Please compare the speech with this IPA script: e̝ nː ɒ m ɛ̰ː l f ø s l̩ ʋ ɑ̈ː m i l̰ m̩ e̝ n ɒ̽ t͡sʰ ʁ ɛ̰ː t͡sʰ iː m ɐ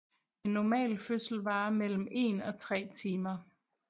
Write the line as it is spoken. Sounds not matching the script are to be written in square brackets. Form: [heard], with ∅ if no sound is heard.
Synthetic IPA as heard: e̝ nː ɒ m ɛ̰ː l f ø s l̩ ʋ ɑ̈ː m [e] l̰ m̩ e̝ n ɒ̽ t͡sʰ ʁ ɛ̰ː t͡sʰ iː m ɐ